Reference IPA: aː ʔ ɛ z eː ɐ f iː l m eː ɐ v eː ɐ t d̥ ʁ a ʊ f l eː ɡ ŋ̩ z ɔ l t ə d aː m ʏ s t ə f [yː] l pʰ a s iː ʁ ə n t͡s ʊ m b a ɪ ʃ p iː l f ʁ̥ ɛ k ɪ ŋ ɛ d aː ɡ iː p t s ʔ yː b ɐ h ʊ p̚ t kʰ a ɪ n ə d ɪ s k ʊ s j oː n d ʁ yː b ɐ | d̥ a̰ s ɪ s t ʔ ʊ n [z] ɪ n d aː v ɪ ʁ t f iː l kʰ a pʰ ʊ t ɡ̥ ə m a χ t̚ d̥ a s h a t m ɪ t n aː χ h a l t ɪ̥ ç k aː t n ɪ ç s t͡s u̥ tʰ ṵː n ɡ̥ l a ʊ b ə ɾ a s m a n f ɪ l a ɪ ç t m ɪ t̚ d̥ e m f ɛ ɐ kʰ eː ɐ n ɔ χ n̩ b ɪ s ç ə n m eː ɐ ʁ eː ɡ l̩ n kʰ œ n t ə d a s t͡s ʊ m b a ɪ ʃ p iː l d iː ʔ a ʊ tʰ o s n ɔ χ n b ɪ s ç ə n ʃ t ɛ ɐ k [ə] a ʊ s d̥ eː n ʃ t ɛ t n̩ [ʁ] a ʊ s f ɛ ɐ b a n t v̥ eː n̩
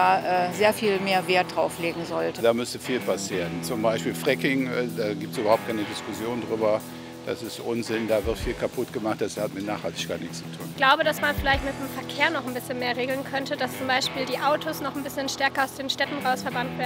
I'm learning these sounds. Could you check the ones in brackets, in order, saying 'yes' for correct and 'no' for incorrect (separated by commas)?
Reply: no, yes, no, yes